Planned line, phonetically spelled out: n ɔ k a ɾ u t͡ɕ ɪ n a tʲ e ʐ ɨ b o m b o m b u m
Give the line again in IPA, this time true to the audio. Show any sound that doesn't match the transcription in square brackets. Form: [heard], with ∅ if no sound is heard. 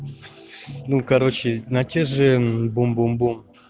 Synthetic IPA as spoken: n [u] k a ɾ [o] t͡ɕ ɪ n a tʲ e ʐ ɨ b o m b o m b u m